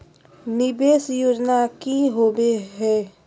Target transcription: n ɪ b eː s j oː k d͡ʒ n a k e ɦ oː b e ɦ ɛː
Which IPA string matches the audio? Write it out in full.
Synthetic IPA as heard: n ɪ b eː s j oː d͡ʒ n a k i ɦ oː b e ɦ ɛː